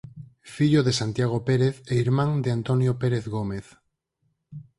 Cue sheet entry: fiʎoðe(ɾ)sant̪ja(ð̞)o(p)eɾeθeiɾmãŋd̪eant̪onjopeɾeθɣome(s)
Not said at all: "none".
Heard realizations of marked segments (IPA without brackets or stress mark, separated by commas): none, ɣ̞, p, θ